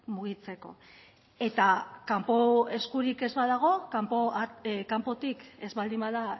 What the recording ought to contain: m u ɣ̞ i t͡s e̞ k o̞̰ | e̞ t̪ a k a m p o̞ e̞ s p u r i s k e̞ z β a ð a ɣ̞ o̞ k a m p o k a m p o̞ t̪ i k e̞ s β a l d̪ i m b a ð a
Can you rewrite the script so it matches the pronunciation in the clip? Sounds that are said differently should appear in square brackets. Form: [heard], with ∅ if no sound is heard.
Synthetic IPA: m u ɣ̞ i t͡s e̞ k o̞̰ | e̞ t̪ a k a m p o̞ e̞ s [k] u [ɾ] i [∅] k e̞ z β a ð a ɣ̞ o̞ k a m p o k a m p o̞ t̪ i k e̞ [z] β a l d̪ i m b a ð a